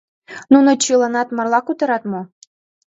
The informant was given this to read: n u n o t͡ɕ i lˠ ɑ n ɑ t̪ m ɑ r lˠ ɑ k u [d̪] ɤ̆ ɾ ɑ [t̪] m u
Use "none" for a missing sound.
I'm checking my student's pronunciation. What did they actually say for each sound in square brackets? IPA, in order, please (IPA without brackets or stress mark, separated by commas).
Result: t̪, t̪